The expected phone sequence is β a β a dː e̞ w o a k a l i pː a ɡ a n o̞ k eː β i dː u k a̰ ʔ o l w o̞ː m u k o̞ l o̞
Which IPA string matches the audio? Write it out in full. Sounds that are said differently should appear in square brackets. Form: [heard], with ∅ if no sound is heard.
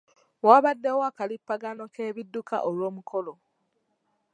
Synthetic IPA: [w] a β a dː e̞ w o a k a l i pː a ɡ a n o̞ k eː β i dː u k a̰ ʔ o l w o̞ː m u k o̞ l o̞